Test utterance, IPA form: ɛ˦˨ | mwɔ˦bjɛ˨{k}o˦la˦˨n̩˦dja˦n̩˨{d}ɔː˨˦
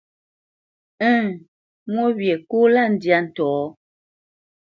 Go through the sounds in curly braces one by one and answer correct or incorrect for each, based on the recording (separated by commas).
correct, incorrect